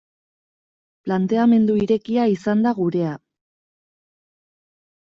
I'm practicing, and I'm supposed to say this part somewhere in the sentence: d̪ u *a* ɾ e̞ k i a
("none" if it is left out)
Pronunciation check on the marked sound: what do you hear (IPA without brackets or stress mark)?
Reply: i